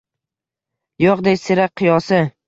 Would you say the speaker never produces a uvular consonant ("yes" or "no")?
no